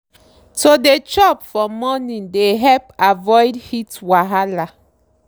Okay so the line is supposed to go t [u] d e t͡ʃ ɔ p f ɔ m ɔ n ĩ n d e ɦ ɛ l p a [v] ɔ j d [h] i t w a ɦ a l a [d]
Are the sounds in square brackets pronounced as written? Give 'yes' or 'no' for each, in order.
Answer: no, yes, yes, no

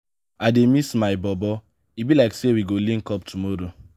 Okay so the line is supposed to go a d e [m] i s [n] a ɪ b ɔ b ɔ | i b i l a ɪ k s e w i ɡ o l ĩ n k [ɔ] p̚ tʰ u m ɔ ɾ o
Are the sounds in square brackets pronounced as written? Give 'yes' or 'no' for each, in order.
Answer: yes, no, yes

